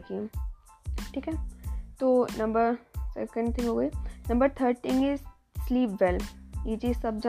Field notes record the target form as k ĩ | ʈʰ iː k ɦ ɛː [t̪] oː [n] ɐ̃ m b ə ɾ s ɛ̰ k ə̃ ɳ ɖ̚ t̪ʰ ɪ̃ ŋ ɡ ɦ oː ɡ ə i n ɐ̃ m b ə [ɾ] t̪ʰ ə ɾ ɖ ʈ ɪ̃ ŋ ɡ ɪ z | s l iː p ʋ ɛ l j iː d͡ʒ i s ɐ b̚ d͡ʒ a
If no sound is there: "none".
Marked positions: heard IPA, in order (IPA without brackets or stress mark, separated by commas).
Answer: t̪, n, ɾ